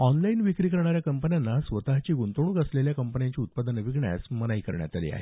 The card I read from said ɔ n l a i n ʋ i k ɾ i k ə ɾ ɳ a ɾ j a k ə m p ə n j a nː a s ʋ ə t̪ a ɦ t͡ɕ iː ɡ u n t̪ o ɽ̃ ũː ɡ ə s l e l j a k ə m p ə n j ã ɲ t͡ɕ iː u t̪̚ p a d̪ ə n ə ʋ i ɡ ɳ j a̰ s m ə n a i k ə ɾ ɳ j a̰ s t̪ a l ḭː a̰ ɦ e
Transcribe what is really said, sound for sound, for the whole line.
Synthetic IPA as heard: ɔ n l a i n ʋ i k ɾ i k ə ɾ ɳ a ɾ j a k ə m p ə n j a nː a s ʋ ə t̪ a ɦ t͡ɕ iː ɡ u n t̪ o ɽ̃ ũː ɡ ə s l e l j a k ə m p ə n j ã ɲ t͡ɕ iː u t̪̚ p a d̪ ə n ə ʋ i ɡ ɳ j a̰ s m ə n a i k ə ɾ ɳ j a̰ t̪ a l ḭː a̰ ɦ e